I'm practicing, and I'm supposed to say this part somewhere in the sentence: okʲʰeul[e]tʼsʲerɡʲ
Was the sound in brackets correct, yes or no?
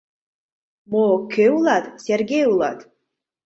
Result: no